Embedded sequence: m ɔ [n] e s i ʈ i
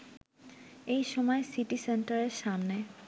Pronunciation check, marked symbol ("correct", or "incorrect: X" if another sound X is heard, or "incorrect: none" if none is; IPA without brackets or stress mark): incorrect: none